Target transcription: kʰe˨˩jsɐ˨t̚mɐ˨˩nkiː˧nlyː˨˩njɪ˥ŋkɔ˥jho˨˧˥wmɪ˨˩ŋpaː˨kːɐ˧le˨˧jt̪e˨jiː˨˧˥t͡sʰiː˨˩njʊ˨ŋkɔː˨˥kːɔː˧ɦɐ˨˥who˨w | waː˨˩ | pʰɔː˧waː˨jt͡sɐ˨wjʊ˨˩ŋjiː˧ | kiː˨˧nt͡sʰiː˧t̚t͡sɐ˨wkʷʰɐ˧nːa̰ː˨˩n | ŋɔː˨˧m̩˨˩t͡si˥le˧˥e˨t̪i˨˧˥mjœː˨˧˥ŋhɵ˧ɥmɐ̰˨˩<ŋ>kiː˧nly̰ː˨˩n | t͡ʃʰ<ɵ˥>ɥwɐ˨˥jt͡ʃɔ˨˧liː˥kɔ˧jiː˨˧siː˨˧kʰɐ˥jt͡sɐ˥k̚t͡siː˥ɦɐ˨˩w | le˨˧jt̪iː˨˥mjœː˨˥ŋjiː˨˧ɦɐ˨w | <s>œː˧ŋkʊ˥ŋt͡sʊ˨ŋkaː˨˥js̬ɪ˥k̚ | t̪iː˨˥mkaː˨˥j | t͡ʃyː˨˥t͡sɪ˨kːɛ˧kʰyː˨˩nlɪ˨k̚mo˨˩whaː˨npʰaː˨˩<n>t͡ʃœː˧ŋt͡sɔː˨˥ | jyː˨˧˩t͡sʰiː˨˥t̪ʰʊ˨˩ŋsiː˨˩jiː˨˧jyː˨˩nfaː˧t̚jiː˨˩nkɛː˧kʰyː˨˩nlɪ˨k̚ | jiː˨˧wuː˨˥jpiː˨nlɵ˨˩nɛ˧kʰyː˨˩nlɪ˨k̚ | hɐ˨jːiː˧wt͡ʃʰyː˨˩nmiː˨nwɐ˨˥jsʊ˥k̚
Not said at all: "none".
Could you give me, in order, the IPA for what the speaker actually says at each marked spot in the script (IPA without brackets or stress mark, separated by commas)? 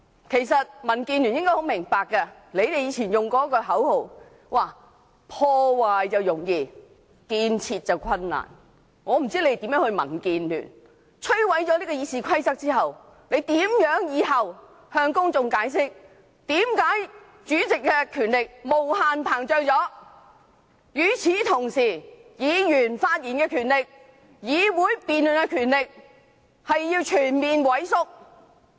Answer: n, ɵ˥, h, ŋ